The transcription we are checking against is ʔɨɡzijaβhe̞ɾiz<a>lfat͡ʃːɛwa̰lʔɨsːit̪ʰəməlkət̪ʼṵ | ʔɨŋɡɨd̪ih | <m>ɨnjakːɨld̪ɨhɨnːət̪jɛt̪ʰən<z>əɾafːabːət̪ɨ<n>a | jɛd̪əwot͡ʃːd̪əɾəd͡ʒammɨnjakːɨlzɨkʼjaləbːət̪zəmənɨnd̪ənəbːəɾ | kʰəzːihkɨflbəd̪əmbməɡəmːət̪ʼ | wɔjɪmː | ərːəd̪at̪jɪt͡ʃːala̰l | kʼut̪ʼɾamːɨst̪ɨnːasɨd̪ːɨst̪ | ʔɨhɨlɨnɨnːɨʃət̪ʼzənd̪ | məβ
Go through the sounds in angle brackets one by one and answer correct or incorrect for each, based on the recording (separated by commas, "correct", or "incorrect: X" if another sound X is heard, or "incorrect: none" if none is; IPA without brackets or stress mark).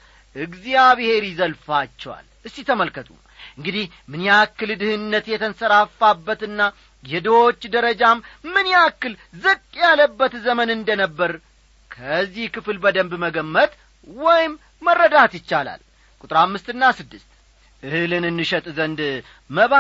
incorrect: ə, correct, incorrect: s, incorrect: nː